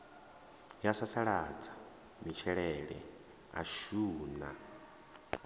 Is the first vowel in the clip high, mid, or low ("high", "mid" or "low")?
low